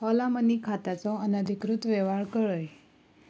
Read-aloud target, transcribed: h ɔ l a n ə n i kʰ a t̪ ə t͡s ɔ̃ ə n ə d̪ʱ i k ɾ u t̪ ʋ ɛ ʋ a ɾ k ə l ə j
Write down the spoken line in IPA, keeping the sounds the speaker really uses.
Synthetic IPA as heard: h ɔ l a m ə n i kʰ a t̪ a t͡s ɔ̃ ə n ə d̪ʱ i k ɾ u t̪ ʋ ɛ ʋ a ɭ k ə ɭ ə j